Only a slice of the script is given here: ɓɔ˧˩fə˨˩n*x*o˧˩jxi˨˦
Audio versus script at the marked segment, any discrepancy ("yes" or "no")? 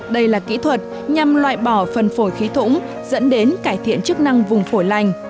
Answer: yes